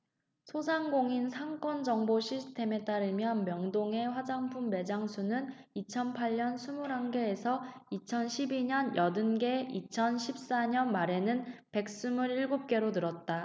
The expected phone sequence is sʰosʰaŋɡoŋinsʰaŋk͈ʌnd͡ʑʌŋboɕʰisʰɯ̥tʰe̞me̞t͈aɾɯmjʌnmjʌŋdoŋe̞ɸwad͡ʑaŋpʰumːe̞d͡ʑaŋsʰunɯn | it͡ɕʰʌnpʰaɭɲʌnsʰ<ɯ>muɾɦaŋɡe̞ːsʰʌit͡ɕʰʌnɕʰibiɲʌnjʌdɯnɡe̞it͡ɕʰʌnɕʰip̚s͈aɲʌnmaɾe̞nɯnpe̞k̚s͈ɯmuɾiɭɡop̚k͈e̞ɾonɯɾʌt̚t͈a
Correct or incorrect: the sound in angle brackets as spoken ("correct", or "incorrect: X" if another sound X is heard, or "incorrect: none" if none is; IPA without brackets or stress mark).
incorrect: u